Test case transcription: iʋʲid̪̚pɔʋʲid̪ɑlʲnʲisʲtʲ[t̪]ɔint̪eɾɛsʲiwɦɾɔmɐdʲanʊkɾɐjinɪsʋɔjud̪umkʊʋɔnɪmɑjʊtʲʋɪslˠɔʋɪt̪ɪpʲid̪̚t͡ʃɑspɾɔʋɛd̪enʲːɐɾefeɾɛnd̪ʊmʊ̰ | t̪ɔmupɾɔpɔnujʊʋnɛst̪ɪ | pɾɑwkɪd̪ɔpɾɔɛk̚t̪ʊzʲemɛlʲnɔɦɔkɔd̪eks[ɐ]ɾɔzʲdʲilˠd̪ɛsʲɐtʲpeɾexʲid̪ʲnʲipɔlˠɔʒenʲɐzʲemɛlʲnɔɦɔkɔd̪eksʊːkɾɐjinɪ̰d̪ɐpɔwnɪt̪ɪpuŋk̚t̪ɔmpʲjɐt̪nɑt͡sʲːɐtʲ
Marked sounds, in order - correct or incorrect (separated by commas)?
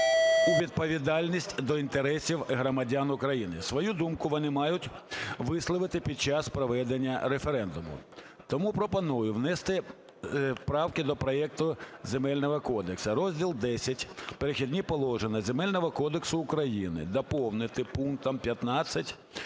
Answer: incorrect, correct